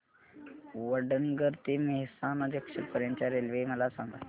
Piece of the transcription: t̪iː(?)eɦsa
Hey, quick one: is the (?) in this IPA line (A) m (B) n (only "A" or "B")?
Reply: A